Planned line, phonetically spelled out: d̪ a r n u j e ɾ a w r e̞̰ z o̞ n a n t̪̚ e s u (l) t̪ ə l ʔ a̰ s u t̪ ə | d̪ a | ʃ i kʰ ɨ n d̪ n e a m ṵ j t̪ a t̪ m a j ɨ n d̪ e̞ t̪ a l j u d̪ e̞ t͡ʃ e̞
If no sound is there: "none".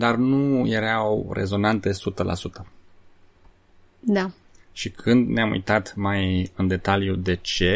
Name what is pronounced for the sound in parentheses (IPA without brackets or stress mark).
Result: none